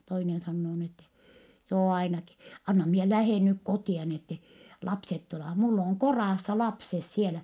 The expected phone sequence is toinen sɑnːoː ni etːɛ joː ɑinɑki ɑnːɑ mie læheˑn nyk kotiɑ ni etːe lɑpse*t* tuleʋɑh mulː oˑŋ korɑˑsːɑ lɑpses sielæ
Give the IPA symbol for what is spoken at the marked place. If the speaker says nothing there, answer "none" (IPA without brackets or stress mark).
t